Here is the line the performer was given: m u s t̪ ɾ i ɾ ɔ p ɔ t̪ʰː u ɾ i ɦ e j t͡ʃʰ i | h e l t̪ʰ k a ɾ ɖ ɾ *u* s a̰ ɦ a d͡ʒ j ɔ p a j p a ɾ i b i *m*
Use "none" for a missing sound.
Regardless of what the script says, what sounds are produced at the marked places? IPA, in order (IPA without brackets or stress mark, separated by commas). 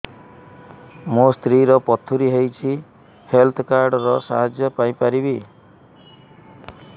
ɔ, none